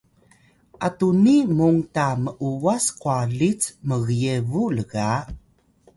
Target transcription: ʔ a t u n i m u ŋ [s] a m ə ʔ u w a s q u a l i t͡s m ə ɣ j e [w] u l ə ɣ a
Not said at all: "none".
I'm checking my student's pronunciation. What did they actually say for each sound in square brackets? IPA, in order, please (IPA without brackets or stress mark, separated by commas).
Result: t, v